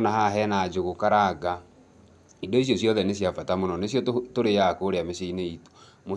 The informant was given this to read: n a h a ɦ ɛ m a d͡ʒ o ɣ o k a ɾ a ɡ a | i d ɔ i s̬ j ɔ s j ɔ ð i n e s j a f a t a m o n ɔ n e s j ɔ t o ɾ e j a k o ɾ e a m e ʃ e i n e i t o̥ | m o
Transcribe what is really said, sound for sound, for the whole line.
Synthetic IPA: n a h a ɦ ɛ n a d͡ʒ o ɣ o k a ɾ a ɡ a | i d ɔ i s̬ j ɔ s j ɔ ð ɛ n e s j a f a t a m o n ɔ n e s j ɔ t o ɾ e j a k o ɾ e a m e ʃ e i n e i t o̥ | m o